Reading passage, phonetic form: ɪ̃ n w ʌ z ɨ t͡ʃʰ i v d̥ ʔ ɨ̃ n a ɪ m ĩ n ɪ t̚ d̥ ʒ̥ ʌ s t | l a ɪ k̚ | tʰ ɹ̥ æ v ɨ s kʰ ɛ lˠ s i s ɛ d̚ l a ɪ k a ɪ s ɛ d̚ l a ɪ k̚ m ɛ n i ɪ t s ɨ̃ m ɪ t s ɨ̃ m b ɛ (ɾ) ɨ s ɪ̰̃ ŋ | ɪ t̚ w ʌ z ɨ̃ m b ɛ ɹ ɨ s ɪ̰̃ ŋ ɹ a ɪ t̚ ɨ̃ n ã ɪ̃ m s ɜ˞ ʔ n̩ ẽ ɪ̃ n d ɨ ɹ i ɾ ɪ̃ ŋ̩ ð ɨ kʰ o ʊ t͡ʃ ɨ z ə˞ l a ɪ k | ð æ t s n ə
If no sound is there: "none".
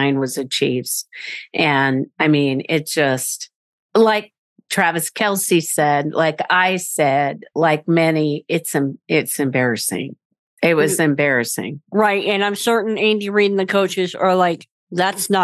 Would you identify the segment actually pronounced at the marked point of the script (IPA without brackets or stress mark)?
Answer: ɹ